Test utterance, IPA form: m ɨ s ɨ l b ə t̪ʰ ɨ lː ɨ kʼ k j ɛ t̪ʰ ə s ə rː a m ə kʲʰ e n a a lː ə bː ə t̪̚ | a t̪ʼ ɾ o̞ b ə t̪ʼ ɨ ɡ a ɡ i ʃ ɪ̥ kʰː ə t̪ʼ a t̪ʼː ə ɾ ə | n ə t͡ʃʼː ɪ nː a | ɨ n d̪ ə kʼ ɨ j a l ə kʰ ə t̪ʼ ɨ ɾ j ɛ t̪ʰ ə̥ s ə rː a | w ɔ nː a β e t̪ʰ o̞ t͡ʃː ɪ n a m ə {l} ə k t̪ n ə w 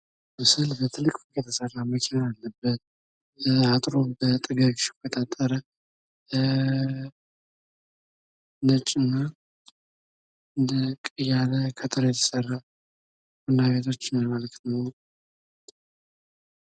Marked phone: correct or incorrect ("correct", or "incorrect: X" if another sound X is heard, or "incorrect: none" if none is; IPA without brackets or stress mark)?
correct